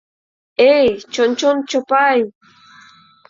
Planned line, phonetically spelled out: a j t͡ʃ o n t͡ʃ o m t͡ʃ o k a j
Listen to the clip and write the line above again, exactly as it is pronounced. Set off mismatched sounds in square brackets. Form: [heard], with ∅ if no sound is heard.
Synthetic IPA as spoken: [e] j t͡ʃ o n t͡ʃ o [n] t͡ʃ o [p] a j